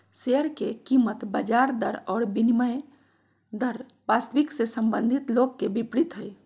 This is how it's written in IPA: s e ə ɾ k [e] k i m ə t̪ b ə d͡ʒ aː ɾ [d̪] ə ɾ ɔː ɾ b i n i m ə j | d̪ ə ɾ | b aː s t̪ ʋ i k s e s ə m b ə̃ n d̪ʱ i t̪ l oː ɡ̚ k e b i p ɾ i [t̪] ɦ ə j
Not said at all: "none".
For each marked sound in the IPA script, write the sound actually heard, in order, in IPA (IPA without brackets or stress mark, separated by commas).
e, d̪, t̪